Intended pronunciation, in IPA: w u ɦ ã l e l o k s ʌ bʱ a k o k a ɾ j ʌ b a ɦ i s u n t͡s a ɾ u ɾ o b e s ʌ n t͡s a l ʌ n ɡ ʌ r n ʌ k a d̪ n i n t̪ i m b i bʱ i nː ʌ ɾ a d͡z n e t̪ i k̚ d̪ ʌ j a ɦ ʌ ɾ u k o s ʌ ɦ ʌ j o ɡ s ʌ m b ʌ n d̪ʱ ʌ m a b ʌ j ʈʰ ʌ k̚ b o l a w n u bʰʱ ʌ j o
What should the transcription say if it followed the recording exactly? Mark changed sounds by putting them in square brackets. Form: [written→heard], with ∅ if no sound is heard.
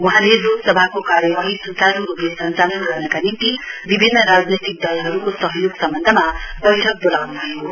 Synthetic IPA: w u ɦ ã l e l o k s ʌ bʱ a k o k a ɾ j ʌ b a ɦ i s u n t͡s a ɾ u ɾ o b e s ʌ n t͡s a l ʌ n ɡ ʌ r n ʌ k a [d̪→∅] n i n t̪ i [m→∅] b i bʱ i nː ʌ ɾ a d͡z n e t̪ i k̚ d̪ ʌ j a ɦ ʌ ɾ u k o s ʌ ɦ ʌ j o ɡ s ʌ m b ʌ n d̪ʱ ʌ m a b ʌ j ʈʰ ʌ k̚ b o l a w n u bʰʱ ʌ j o